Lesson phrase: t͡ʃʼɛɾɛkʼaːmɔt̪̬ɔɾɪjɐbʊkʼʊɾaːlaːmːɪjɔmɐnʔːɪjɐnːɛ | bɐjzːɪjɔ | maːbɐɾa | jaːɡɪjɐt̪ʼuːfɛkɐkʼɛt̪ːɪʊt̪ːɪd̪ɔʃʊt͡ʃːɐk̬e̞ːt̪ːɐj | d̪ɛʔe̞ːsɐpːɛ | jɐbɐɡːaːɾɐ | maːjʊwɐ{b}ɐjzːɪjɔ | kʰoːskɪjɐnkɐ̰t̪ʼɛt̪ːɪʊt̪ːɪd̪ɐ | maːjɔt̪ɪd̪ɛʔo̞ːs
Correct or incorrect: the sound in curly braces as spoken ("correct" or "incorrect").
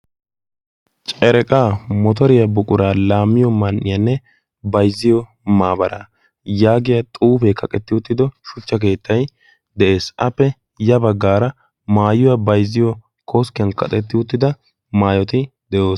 correct